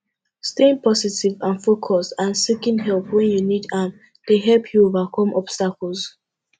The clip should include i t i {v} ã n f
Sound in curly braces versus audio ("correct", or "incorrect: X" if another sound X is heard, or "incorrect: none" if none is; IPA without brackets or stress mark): correct